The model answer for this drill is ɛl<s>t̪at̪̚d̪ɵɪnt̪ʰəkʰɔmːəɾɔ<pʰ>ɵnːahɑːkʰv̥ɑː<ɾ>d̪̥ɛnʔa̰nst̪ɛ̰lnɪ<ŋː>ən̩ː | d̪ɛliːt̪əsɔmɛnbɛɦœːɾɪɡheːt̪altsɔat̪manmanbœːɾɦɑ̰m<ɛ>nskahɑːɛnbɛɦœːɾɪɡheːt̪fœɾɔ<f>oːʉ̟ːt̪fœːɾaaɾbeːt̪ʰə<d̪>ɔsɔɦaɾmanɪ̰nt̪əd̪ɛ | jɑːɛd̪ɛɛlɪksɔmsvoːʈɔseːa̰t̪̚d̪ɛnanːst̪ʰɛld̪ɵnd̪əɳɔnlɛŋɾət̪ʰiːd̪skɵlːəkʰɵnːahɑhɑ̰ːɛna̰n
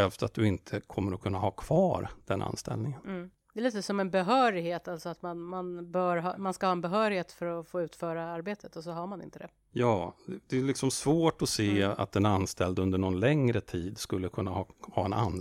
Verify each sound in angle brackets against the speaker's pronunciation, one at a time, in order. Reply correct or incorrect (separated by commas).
incorrect, incorrect, correct, incorrect, incorrect, correct, incorrect